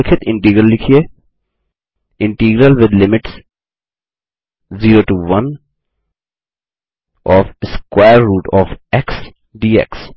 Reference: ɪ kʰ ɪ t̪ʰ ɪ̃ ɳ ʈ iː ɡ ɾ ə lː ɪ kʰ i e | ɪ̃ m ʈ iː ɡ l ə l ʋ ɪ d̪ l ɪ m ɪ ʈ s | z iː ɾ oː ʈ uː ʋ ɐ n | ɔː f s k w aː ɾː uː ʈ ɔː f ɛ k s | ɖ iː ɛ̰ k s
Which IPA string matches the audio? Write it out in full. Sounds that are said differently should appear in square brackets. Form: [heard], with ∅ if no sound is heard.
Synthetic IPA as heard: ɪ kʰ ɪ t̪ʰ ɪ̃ ɳ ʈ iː ɡ ɾ ə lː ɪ kʰ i e | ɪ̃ [ɳ] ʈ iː ɡ [ɾ] ə l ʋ ɪ d̪ l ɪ m ɪ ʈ s | z iː ɾ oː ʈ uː ʋ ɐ n | ɔː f s k w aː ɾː uː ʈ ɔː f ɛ k s | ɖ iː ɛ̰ k s